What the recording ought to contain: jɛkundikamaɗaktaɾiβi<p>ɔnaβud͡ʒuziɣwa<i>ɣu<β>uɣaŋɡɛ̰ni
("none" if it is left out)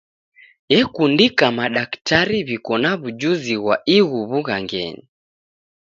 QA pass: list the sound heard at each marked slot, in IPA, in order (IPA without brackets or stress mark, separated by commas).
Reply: k, i, β